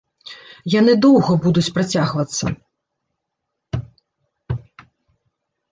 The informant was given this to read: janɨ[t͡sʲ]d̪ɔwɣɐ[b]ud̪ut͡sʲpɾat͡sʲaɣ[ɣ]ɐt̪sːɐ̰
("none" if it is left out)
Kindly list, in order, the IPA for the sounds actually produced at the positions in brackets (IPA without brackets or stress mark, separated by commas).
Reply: none, b, v